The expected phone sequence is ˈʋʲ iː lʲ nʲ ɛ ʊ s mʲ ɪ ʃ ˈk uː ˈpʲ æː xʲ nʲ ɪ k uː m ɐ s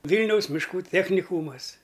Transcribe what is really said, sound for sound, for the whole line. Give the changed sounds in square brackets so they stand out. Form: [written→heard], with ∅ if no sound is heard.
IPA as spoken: ˈʋʲ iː lʲ nʲ ɛ ʊ s mʲ ɪ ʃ ˈk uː [ˈpʲ→ˈtʲ] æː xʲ nʲ ɪ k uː m ɐ s